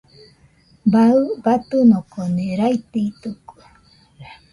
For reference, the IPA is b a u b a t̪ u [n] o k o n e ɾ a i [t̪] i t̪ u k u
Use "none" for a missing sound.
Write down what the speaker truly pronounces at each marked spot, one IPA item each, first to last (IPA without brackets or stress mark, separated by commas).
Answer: n, t̪